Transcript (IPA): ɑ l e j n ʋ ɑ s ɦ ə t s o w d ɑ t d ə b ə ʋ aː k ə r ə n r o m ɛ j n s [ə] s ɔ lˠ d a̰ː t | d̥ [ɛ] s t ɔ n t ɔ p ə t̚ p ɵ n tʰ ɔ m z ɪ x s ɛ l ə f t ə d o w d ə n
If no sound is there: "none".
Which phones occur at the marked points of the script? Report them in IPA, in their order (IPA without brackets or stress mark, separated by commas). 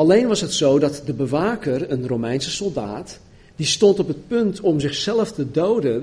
ə, i